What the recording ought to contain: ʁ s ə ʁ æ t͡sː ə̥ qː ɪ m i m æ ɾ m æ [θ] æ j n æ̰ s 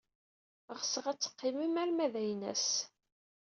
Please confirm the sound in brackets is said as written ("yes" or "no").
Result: no